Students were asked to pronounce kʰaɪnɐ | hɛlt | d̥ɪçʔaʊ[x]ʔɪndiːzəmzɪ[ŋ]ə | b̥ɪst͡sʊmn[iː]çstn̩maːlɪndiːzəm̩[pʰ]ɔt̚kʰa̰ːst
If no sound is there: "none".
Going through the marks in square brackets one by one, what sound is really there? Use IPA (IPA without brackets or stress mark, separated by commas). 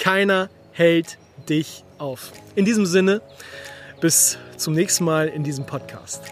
f, n, ɛː, pʰ